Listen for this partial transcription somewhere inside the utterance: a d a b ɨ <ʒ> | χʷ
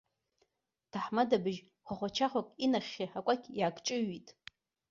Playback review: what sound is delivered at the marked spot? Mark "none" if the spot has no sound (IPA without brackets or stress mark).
ʒ